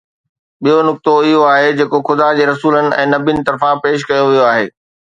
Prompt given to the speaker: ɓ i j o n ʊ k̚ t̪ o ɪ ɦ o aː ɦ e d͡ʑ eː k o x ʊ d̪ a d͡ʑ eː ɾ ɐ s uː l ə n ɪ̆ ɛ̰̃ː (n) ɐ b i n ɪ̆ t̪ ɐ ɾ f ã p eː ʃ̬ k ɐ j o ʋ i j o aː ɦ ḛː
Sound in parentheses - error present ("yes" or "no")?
no